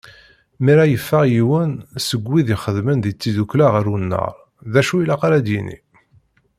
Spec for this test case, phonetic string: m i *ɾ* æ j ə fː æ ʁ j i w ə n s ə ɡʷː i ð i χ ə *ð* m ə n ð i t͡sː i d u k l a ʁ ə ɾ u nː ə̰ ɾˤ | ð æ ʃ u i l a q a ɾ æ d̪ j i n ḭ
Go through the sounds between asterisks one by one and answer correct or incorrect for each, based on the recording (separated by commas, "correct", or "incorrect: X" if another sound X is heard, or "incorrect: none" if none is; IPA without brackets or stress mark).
correct, correct